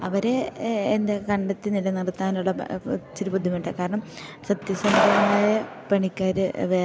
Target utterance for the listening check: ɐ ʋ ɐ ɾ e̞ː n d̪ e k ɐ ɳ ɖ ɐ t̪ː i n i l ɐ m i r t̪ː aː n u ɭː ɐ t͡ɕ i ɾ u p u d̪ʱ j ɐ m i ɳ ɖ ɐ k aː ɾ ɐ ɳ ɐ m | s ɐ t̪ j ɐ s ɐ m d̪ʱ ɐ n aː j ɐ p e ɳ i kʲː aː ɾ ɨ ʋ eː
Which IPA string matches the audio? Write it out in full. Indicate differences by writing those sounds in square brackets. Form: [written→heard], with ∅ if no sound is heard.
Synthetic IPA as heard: ɐ ʋ ɐ ɾ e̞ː n d̪ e k ɐ ɳ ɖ ɐ t̪ː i n i l ɐ [m→n] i r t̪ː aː n u ɭː ɐ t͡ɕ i ɾ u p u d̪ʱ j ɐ m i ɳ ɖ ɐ k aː ɾ ɐ ɳ ɐ m | s ɐ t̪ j ɐ s ɐ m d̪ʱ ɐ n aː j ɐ p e ɳ i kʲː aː ɾ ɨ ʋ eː